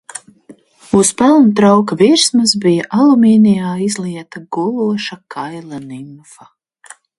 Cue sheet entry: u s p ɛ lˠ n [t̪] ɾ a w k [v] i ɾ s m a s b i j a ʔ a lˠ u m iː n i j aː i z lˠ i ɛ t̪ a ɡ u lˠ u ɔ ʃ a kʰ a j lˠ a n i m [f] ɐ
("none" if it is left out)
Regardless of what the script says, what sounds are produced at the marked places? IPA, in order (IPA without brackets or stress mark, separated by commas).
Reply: t̪, v, f